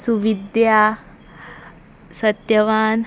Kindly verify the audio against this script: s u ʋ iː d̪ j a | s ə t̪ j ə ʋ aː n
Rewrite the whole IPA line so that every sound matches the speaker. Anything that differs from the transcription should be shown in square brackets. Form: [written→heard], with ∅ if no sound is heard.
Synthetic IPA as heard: s u ʋ [iː→i] d̪ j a | s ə t̪ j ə ʋ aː n